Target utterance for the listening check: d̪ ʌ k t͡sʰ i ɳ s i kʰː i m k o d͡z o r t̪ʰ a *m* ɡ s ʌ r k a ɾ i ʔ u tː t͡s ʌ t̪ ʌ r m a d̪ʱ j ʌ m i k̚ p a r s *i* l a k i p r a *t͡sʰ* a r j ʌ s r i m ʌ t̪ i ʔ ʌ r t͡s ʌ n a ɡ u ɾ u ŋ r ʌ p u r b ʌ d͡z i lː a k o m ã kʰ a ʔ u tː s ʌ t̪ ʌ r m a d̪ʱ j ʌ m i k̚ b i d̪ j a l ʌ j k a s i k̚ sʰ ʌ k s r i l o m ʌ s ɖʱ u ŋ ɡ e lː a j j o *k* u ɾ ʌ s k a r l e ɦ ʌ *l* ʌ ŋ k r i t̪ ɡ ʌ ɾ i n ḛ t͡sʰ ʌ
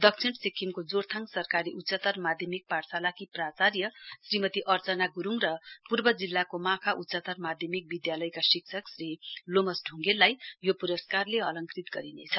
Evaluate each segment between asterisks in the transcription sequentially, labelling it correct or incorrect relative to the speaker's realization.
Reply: incorrect: ŋ, incorrect: a, incorrect: t͡s, incorrect: p, correct

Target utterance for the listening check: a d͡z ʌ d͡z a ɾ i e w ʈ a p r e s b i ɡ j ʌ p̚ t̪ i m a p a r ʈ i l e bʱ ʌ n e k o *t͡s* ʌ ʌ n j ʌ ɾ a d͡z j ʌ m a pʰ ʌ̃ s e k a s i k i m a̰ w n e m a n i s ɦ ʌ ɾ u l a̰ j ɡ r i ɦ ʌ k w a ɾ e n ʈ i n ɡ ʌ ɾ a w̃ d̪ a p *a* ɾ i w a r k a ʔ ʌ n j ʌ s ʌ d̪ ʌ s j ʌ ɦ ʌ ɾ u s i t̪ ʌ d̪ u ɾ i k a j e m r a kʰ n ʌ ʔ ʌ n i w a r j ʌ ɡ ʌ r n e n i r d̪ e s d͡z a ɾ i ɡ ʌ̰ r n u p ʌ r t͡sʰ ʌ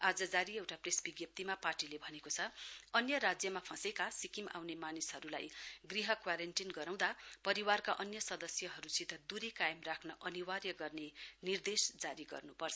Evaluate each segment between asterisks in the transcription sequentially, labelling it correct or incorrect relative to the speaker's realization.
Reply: incorrect: t͡sʰ, incorrect: ʌ

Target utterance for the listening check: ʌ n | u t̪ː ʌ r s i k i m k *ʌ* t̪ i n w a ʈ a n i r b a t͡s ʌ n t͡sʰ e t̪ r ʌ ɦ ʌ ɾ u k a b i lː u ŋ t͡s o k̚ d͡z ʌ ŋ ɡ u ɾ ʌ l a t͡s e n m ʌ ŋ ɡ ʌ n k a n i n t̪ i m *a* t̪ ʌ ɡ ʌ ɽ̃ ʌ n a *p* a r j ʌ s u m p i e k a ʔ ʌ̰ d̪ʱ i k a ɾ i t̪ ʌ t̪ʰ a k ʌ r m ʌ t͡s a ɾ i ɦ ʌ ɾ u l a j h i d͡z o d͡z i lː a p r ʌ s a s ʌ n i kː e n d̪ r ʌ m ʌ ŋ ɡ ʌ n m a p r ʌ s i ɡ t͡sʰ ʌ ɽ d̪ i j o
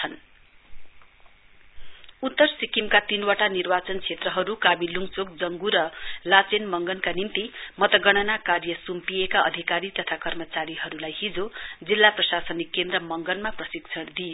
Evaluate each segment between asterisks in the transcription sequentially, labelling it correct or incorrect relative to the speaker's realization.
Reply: incorrect: a, incorrect: ʌ, incorrect: k

